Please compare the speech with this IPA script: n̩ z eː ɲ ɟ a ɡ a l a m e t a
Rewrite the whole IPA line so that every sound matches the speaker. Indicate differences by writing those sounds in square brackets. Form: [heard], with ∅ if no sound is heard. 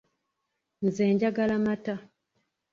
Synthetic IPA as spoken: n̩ z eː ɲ ɟ a ɡ a l a m [a] t a